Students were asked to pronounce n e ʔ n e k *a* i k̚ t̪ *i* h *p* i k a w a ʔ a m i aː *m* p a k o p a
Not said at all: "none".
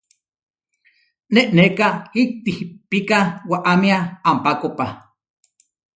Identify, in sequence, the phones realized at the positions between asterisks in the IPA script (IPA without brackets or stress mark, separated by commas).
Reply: a, i, p, m